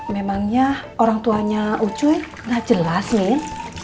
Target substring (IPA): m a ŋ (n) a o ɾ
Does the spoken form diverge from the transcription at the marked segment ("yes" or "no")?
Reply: yes